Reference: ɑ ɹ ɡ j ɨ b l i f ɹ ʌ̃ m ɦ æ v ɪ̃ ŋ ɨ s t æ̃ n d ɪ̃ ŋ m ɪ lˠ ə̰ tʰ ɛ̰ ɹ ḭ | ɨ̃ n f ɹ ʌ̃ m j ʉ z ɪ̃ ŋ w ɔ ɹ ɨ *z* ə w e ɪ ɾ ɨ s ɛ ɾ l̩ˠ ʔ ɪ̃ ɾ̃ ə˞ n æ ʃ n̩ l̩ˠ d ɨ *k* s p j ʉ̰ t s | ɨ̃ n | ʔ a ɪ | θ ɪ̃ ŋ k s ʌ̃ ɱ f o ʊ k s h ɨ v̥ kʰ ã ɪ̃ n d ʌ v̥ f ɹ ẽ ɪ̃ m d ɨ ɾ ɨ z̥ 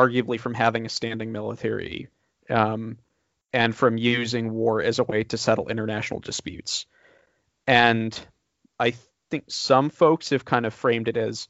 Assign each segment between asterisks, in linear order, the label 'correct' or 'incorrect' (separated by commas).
correct, incorrect